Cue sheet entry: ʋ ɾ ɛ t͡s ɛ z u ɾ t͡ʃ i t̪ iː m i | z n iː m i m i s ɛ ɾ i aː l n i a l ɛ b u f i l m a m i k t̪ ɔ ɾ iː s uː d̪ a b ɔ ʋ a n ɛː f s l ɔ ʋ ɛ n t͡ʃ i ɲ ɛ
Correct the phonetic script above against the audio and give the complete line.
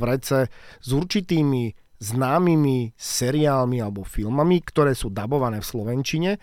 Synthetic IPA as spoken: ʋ ɾ ɛ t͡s ɛ z u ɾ t͡ʃ i t̪ iː m i | z n aː m i m i s ɛ ɾ i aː l m i a l ɛ b ɔ f i l m a m i k t̪ ɔ ɾ ɛː s uː d̪ a b ɔ ʋ a n ɛː f s l ɔ ʋ ɛ n t͡ʃ i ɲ ɛ